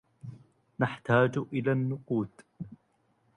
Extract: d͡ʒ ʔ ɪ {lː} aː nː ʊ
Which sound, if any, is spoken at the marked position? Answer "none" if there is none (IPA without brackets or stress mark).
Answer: l